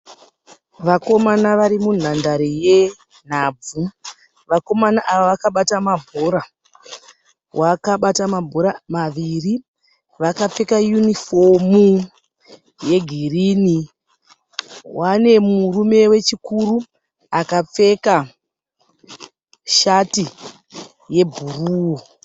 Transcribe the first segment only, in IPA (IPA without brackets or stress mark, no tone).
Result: ʋ